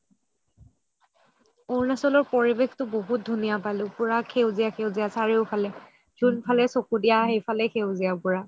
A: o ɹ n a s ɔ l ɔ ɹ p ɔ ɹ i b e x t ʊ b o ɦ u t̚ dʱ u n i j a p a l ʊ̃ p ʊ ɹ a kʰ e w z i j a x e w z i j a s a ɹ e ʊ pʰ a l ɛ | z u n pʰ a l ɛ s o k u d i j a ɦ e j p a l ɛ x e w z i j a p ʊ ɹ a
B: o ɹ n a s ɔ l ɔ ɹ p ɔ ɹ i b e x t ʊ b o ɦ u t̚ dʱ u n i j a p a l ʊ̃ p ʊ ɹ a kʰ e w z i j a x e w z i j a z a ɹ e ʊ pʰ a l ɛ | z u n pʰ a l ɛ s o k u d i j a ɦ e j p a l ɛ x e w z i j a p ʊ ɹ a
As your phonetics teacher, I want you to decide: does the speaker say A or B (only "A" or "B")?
A